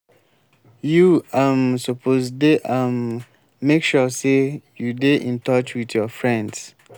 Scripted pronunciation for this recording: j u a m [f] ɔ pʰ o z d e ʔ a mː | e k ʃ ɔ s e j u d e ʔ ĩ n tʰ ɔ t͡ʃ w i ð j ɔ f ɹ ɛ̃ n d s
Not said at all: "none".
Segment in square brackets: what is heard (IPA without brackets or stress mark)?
s